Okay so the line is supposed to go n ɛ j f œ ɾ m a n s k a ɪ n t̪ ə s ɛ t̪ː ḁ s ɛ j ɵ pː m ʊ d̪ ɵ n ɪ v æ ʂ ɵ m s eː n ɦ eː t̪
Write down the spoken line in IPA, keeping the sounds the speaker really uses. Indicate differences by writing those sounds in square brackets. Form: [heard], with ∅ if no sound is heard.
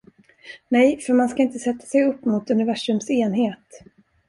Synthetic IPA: n ɛ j f œ ɾ m a n s k a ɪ n t̪ ə s ɛ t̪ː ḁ s ɛ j ɵ pː m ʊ [t̪] ɵ n ɪ v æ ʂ ɵ m s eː n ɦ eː t̪